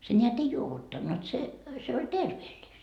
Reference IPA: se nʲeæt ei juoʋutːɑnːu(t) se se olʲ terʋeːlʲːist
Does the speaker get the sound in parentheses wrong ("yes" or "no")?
no